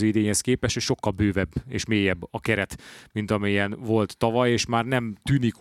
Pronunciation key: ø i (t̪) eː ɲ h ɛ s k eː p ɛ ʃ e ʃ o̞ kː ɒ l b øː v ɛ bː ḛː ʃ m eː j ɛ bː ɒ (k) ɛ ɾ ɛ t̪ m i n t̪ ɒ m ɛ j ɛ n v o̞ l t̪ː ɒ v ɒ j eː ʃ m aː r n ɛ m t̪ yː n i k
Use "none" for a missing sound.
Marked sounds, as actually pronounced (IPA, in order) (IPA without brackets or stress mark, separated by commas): d̪, k